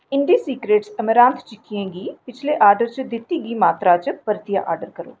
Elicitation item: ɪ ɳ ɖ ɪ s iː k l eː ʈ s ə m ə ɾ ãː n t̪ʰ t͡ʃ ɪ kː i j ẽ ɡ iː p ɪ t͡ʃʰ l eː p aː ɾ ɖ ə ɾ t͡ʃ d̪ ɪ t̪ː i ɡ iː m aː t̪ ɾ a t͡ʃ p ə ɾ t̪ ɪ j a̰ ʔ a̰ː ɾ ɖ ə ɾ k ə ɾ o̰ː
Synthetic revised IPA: ɪ ɳ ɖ i s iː k ɾ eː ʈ s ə m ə ɾ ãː n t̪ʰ t͡ʃ ɪ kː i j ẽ ɡ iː p ɪ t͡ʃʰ l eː ʔ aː ɾ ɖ ə ɾ t͡ʃ d̪ ɪ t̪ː i ɡ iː m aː t̪ ɾ a t͡ʃ p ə ɾ t̪ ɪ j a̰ ʔ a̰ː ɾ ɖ ə ɾ k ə ɾ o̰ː